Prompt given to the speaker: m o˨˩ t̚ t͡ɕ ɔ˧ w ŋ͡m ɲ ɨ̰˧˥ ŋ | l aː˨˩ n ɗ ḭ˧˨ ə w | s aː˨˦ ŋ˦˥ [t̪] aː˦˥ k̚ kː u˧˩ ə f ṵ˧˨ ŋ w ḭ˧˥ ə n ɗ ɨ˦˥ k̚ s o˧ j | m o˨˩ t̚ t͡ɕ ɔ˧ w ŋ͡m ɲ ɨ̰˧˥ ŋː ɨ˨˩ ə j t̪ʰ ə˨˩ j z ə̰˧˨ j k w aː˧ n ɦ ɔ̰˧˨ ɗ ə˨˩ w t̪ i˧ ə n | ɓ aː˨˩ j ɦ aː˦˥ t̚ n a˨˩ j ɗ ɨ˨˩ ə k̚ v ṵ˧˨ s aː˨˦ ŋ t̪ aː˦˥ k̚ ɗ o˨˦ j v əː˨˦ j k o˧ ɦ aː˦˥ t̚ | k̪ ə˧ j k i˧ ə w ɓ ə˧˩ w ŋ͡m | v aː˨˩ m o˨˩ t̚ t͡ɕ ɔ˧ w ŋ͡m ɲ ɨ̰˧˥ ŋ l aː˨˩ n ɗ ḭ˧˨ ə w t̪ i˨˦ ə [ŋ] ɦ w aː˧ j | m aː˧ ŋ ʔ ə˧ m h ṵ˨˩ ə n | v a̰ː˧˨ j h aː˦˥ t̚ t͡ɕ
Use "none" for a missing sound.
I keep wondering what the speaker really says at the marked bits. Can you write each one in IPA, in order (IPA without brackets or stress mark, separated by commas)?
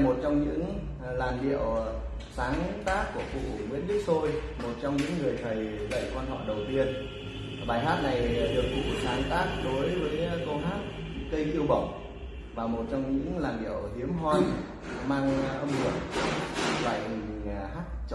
t̪, m